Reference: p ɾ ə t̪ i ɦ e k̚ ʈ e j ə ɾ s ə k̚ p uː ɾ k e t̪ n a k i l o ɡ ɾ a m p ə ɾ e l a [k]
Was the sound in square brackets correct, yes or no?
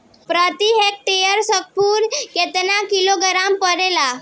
no